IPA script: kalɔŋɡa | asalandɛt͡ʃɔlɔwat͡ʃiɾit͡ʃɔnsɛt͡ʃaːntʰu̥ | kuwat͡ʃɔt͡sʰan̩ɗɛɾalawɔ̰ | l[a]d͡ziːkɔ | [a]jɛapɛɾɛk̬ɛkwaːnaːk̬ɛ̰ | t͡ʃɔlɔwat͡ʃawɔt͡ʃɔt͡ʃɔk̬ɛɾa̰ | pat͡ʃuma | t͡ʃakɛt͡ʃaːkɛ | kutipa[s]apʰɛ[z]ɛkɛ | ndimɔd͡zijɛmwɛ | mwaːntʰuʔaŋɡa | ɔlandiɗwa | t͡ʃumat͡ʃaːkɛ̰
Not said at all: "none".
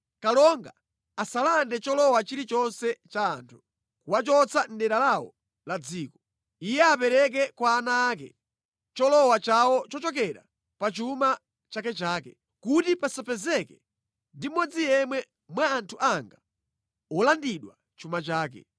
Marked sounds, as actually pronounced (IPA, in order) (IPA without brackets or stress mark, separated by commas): a, i, s, z